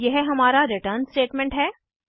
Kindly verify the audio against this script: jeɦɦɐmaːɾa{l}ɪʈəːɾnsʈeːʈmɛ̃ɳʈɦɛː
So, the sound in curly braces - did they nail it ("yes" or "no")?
no